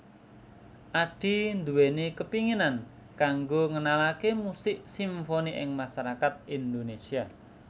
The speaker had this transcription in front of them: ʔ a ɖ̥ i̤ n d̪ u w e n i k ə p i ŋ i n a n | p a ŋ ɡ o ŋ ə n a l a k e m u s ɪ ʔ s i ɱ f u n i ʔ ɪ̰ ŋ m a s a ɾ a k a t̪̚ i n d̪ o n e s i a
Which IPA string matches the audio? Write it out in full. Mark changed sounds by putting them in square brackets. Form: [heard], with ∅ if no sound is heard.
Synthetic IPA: ʔ a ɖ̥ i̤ n d̪ u w e n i k ə p i ŋ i n a n | [k] a ŋ ɡ o ŋ ə n a l a k e m u s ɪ ʔ s i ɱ f [o] n i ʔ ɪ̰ ŋ m a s a ɾ a k a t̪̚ i n d̪ o n e s i a

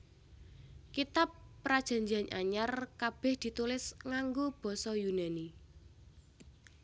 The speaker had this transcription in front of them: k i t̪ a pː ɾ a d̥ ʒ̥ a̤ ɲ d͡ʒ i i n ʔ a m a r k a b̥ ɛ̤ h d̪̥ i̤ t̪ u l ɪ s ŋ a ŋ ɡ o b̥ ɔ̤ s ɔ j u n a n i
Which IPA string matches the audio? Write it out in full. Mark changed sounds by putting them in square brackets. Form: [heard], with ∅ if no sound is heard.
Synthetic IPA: k i t̪ a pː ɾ a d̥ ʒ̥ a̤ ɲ d͡ʒ i [a] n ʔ a [ɲ] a r k a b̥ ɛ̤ h d̪̥ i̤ t̪ u l ɪ s ŋ a ŋ ɡ o b̥ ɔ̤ s ɔ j u n a n i

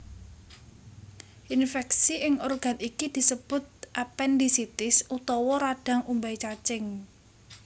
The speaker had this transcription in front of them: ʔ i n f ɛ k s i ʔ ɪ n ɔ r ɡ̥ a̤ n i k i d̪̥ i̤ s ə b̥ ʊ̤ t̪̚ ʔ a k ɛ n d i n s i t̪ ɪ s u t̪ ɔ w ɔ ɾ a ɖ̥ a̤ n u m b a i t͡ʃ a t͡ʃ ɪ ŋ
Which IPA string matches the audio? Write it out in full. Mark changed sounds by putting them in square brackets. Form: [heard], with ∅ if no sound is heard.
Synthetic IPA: ʔ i n f ɛ k s i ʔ ɪ [ŋ] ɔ r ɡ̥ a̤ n i k i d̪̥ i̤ s ə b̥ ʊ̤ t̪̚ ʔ a [p] ɛ n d i [∅] s i t̪ ɪ s u t̪ ɔ w ɔ ɾ a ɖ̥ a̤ [ŋ] u m b a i t͡ʃ a t͡ʃ ɪ ŋ

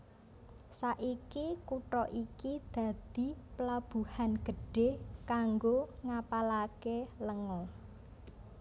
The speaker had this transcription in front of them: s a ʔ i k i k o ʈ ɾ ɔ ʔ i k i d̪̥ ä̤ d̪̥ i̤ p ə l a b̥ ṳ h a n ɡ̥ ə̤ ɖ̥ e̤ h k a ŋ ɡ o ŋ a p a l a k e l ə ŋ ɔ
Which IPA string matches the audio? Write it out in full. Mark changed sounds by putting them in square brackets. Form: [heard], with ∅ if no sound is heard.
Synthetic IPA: s a ʔ i k i k [u] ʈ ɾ ɔ ʔ i k i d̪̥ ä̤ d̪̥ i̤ p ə l a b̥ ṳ h a n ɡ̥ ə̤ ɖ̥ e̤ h k a ŋ ɡ o ŋ a p a l a k e l ə ŋ ɔ

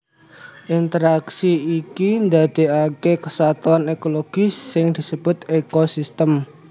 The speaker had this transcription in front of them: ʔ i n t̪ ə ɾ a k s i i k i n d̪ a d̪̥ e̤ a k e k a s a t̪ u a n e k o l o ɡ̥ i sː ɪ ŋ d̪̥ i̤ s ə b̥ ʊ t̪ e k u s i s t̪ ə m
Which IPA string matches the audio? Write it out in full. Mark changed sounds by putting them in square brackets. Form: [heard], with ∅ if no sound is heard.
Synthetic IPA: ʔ i n t̪ ə ɾ a k s i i k i n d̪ a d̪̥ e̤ a k e k [ə] s a t̪ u a n e k o l o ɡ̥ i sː ɪ ŋ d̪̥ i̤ s ə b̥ ʊ t̪ e k [o] s i s t̪ ə m

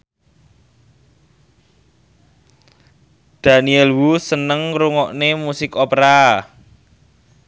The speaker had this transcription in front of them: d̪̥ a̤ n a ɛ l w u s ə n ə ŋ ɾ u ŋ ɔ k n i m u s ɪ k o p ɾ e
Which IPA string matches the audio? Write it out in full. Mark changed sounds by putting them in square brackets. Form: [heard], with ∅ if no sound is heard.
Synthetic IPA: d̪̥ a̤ n [i] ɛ l w u s ə n ə ŋ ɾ u ŋ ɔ [ʔ] n [e] m u s ɪ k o p ɾ [a]

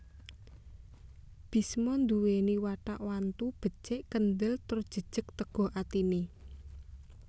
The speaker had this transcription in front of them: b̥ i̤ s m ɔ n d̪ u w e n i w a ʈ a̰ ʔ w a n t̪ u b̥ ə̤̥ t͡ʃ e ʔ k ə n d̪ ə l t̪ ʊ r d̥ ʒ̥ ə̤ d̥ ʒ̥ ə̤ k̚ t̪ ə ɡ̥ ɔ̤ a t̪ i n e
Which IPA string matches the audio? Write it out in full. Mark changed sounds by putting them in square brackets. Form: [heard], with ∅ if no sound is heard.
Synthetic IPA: b̥ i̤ s m ɔ n d̪ u w e n i w a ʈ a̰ ʔ w a n t̪ u b̥ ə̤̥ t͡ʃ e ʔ k ə n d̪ ə l t̪ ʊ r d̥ ʒ̥ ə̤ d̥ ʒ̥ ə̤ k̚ t̪ ə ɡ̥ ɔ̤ a t̪ i n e

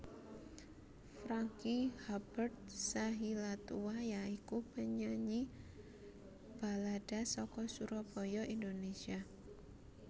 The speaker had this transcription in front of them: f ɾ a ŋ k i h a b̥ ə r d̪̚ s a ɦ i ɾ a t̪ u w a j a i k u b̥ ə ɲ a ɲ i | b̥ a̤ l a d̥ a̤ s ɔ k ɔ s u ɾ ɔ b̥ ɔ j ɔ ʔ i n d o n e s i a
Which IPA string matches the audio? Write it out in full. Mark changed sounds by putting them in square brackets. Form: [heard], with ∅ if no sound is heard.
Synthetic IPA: f ɾ a ŋ k i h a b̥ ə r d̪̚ s a ɦ i [l] a t̪ u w a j a i k u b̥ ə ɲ a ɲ i | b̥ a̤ l a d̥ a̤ s ɔ k ɔ s u ɾ ɔ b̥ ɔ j ɔ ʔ i n d o n e s i a

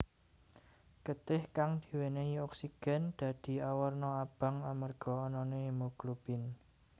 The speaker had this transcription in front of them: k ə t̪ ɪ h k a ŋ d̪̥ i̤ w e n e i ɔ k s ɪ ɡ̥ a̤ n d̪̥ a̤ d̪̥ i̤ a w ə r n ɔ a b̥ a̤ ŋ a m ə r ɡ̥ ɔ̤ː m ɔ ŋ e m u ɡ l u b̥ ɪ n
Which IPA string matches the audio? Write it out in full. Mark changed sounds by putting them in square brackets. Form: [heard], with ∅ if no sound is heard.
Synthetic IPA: k ə t̪ ɪ h k a ŋ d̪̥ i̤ w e n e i ɔ k s [i] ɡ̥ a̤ n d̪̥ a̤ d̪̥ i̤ a w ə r n ɔ a b̥ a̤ ŋ a m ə r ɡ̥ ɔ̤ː [n] ɔ [n] e m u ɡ l u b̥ ɪ n

